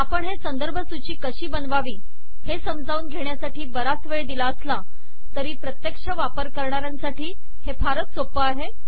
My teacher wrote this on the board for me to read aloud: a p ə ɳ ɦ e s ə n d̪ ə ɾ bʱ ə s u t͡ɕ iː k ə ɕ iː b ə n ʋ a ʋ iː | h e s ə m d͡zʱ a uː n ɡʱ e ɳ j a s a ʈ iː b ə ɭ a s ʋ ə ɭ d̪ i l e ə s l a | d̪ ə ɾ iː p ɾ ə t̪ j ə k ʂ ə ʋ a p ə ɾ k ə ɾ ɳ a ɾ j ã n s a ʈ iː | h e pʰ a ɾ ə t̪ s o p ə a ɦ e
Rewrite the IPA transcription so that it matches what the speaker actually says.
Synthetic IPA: a p ə ɳ ɦ e s ə n d̪ ə ɾ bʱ ə s u t͡ɕ iː k ə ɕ iː b ə n ʋ a ʋ iː | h e s ə m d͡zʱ a uː n ɡʱ e ɳ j a s a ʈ iː b ə ɾ a s ʋ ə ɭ d̪ i l a ə s l a | t̪ ə ɾ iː p ɾ ə t̪ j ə k ʂ ə ʋ a p ə ɾ k ə ɾ ɳ a ɾ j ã n s a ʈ iː | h e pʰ a ɾ ə t̪ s o p ə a ɦ e